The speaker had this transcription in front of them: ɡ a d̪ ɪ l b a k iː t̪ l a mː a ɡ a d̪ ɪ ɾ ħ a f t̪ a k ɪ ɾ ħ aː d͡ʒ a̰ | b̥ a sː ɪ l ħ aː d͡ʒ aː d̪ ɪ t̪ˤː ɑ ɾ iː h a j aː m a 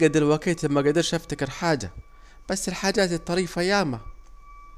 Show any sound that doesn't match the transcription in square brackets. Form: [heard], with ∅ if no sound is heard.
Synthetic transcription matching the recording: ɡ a d̪ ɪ l [w] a k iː t̪ l a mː a ɡ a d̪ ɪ ɾ [ʃ] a f t̪ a k ɪ ɾ ħ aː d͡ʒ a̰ | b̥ a sː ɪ l ħ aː d͡ʒ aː [t̪] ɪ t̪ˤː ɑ ɾ iː [f] a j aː m a